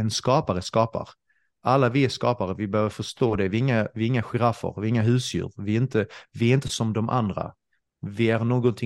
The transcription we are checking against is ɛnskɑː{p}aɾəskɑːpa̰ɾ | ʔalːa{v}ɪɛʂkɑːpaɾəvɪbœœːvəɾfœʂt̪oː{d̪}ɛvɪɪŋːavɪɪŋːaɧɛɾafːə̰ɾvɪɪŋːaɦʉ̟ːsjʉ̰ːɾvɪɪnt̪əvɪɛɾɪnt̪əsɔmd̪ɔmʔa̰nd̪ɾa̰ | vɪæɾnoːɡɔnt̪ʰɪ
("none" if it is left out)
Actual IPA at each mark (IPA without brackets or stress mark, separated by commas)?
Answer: p, v, d̪